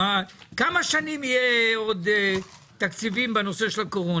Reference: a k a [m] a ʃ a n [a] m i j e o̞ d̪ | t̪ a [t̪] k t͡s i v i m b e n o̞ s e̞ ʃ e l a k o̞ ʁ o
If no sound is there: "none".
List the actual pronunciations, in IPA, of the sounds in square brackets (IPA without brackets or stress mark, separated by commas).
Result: m, i, none